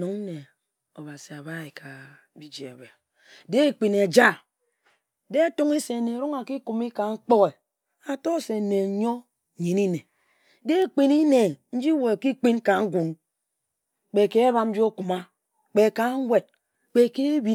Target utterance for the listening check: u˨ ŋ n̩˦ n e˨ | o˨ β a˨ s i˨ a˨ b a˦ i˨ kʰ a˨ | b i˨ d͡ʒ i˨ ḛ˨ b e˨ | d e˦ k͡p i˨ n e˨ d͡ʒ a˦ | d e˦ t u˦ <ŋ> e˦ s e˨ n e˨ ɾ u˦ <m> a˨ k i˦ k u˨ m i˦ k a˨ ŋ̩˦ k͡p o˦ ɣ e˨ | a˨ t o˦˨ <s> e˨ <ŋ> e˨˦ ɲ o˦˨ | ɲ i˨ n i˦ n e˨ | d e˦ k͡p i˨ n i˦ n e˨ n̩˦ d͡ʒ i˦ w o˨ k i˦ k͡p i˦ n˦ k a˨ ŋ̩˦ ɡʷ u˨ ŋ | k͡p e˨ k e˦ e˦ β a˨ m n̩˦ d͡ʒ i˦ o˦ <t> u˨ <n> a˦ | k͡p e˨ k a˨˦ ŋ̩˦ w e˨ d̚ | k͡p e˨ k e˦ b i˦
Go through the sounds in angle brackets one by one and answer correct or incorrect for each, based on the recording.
correct, incorrect, correct, incorrect, incorrect, incorrect

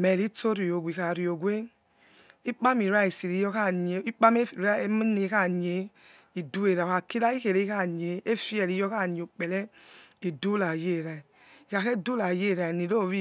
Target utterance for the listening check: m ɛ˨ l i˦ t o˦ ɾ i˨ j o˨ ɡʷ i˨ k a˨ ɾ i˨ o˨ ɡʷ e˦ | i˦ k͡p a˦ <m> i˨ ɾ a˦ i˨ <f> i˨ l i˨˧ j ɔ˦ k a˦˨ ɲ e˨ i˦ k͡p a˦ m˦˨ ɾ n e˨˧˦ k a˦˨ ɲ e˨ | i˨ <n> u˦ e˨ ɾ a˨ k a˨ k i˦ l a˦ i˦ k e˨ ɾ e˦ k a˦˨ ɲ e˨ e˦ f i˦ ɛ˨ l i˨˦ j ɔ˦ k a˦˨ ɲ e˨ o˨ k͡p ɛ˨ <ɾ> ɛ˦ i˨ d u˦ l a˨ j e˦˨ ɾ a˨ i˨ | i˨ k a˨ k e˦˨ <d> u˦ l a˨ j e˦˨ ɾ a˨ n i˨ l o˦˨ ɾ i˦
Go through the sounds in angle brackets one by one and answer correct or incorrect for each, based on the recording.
correct, incorrect, incorrect, incorrect, correct

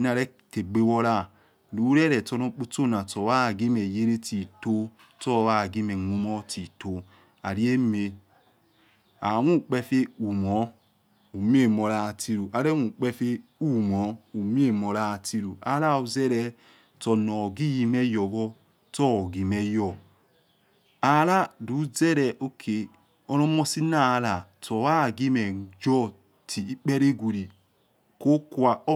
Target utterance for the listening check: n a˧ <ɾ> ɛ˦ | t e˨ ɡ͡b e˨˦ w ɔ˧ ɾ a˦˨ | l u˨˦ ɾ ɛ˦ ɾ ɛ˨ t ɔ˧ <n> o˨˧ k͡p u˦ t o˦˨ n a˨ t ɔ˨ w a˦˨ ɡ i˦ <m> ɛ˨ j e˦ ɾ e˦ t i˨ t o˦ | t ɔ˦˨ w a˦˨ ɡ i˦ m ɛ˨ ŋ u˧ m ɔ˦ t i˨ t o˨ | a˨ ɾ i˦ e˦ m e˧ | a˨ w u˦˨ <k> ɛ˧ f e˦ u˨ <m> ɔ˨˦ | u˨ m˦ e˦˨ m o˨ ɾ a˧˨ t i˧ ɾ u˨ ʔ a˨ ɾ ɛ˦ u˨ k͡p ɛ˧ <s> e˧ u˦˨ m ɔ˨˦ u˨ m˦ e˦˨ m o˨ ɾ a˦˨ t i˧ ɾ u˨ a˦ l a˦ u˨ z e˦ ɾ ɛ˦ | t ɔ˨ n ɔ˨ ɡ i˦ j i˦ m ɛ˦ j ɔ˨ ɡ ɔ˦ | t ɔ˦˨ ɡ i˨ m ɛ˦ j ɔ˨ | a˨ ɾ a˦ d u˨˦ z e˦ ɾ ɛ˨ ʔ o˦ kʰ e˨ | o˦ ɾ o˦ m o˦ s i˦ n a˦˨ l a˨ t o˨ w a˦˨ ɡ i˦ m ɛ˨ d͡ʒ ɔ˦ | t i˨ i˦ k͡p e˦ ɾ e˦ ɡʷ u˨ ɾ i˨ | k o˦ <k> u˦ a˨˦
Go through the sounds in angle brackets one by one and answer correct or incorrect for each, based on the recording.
correct, correct, correct, incorrect, correct, incorrect, correct

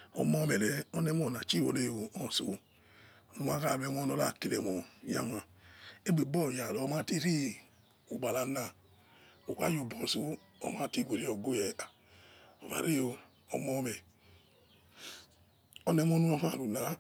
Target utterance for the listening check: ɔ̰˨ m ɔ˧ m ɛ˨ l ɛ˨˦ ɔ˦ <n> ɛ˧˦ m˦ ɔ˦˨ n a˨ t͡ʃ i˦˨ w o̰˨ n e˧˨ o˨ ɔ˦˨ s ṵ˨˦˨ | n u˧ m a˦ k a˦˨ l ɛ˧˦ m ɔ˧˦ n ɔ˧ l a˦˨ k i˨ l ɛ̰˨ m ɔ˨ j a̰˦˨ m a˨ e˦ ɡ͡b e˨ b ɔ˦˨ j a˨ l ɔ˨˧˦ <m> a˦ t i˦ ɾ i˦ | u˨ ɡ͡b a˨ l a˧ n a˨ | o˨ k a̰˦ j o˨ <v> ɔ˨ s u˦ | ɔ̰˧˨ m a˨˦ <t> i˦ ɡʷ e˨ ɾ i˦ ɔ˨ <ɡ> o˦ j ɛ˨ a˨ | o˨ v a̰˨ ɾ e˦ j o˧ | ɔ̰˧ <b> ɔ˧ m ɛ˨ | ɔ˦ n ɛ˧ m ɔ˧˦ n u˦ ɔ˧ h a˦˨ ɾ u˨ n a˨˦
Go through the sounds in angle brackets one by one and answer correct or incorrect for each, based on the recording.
correct, correct, incorrect, correct, correct, incorrect

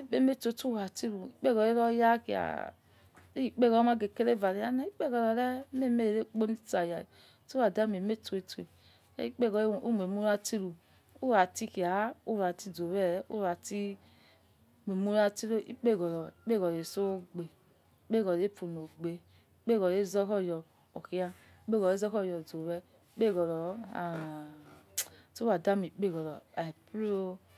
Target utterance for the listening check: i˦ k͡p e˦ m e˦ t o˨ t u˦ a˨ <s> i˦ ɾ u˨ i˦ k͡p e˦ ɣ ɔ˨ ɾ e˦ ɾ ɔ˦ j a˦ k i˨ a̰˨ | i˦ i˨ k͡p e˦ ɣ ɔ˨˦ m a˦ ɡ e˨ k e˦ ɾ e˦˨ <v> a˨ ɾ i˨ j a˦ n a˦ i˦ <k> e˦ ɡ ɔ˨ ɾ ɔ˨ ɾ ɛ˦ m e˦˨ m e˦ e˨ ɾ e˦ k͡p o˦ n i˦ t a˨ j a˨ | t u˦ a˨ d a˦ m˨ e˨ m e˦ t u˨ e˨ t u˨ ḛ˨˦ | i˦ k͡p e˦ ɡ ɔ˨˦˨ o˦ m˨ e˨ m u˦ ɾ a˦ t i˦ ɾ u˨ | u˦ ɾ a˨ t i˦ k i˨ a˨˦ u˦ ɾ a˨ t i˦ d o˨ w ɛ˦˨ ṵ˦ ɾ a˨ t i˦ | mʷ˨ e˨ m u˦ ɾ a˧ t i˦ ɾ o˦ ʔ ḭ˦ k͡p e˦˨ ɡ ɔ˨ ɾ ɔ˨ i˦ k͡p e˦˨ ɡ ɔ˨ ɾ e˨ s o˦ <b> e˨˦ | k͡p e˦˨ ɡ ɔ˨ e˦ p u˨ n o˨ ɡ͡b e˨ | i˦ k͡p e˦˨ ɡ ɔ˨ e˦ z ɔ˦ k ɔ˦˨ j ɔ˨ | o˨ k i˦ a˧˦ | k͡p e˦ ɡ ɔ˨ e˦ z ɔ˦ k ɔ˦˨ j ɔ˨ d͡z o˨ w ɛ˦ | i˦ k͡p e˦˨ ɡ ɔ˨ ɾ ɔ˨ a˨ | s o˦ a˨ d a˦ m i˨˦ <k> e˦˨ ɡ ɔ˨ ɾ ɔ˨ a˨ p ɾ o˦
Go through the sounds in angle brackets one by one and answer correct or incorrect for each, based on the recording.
incorrect, correct, incorrect, incorrect, incorrect

